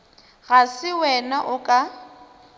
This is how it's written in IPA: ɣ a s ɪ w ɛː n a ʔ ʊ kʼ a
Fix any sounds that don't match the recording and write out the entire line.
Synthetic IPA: ɣ a s ɪ w ɛ n a ʔ ʊ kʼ a